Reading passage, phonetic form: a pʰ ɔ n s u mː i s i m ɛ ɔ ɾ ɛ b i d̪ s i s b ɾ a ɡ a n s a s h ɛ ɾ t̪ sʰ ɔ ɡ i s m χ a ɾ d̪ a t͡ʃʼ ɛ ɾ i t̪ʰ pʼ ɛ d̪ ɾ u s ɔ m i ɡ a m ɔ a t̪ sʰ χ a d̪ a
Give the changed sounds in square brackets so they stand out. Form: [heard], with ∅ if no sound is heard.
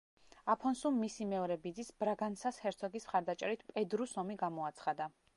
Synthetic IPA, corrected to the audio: a pʰ ɔ n s u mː i s i m ɛ ɔ ɾ ɛ b i d̪ [z] i s b ɾ a ɡ a n s a s h ɛ ɾ t̪ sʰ ɔ ɡ i s m χ a ɾ d̪ a t͡ʃʼ ɛ ɾ i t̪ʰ pʼ ɛ d̪ ɾ u s ɔ m i ɡ a m ɔ a t̪ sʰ χ a d̪ a